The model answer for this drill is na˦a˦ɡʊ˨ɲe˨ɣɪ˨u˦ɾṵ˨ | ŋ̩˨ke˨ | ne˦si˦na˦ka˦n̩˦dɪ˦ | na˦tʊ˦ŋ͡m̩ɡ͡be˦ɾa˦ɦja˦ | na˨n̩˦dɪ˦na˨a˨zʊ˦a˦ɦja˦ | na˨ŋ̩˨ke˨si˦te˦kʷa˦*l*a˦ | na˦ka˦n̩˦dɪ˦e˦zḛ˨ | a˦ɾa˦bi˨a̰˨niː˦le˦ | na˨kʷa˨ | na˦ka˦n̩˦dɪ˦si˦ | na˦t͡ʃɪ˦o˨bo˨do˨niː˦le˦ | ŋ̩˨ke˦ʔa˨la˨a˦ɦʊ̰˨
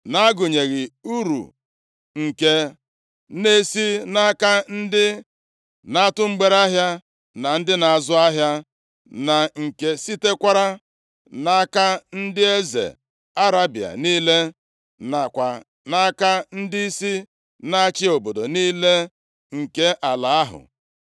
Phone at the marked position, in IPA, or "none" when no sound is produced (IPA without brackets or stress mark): ɾ